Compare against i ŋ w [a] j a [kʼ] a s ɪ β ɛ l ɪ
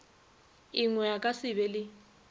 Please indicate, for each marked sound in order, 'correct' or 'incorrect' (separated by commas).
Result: incorrect, correct